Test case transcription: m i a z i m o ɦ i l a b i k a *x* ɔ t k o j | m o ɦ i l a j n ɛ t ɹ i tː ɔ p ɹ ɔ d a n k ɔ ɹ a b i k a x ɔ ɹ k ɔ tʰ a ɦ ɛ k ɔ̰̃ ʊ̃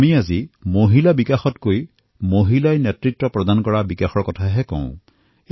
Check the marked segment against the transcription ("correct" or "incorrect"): correct